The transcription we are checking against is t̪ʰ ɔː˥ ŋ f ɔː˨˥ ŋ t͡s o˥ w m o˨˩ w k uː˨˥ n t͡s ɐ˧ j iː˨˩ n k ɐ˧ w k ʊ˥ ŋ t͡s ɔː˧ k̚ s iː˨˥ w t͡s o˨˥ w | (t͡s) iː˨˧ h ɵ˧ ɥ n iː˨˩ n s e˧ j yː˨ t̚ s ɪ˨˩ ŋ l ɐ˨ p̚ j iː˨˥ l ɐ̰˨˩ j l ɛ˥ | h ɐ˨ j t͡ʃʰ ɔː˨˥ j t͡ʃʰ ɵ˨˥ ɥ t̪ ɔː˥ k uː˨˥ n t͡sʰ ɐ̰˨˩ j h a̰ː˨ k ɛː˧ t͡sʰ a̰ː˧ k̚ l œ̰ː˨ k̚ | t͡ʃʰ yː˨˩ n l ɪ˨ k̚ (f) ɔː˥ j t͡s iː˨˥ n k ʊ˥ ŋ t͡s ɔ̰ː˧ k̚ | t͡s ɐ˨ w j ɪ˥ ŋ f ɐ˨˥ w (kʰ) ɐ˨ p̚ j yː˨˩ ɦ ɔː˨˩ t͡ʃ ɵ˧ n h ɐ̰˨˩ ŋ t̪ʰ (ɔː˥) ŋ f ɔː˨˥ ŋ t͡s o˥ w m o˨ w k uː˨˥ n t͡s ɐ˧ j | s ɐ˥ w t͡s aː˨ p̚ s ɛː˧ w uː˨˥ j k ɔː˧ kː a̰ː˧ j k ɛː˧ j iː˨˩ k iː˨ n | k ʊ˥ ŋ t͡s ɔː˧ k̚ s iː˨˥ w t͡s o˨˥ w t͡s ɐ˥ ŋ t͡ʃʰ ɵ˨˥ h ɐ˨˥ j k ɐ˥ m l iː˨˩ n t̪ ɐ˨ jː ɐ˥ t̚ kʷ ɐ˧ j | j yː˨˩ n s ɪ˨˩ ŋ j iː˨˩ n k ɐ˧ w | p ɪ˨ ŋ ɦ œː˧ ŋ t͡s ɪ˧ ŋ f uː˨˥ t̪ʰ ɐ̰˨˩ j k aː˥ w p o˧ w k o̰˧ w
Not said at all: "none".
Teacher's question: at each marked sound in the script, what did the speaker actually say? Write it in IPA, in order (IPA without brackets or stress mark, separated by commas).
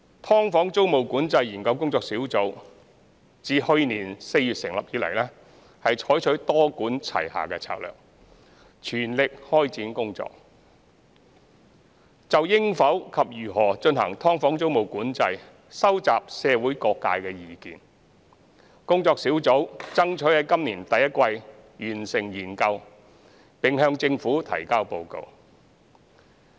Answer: t͡s, h, kʰ, ɔː˥